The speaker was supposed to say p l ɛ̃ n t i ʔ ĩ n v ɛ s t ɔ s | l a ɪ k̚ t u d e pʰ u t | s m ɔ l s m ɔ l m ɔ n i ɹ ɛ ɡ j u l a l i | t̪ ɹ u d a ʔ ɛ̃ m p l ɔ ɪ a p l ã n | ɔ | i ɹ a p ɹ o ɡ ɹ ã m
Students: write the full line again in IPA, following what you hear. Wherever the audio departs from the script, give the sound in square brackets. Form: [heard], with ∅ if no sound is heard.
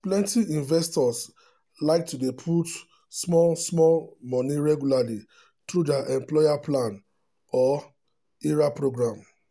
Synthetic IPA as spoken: p l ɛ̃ n t i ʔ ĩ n v ɛ s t ɔ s | l a ɪ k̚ t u d e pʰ u t | s m ɔ l s m ɔ l m ɔ n i ɹ ɛ ɡ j u l a l i | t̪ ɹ u d a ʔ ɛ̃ m p l ɔ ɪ a p l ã n | ɔ | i ɹ a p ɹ o ɡ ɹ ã m